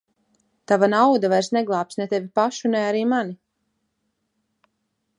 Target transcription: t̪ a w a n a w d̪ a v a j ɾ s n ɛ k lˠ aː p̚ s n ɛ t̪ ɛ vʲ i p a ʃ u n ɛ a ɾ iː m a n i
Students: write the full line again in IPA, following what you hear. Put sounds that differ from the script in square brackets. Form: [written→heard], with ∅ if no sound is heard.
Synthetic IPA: t̪ a [w→v] a n a w d̪ a v a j ɾ s n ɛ [k→ɡ] lˠ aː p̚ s n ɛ t̪ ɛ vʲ i p a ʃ u n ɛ a ɾ iː m a n i